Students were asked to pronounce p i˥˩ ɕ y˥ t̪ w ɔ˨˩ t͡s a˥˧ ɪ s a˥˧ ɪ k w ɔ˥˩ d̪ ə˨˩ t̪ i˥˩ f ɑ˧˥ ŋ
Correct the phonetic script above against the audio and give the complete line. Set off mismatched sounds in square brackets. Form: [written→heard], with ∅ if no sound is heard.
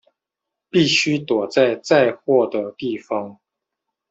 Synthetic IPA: p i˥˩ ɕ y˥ t̪ w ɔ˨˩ t͡s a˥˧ ɪ [s→t͡s] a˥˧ ɪ [k→x] w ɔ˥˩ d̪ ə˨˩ t̪ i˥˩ f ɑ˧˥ ŋ